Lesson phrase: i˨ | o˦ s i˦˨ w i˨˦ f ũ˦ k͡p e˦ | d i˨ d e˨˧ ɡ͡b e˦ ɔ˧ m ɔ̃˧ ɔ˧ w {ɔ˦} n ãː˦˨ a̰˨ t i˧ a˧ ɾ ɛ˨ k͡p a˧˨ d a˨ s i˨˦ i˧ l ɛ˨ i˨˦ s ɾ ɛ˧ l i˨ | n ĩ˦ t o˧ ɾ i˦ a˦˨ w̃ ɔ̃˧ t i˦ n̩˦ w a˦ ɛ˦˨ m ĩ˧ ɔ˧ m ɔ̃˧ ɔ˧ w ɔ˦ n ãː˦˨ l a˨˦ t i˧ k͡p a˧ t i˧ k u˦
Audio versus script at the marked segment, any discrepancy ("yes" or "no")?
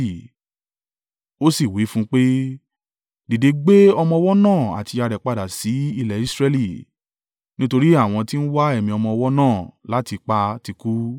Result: no